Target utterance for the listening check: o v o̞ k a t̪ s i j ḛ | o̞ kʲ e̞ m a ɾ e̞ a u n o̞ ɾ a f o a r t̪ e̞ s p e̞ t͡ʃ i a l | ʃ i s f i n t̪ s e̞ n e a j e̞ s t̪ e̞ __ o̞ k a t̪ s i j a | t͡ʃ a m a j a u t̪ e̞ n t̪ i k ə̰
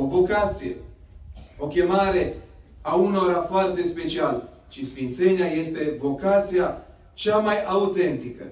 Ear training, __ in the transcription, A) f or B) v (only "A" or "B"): B